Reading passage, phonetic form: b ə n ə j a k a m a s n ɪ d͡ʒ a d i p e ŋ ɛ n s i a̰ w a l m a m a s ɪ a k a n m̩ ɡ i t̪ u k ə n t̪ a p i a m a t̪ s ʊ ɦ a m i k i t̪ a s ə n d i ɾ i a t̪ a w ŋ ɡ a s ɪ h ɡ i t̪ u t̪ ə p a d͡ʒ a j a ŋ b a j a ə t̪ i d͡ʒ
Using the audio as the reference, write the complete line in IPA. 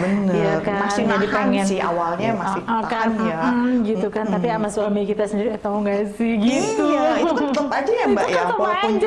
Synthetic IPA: b ə n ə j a k a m a s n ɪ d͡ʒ a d i p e ŋ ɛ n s i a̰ w a l ɲ a m a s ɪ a k a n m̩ ɡ i t̪ u k a n t̪ a p i a m a s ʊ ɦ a m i k i t̪ a s ə n d i ɾ i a t̪ a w ŋ ɡ a s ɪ h ɡ i t̪ u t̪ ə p a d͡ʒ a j a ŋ b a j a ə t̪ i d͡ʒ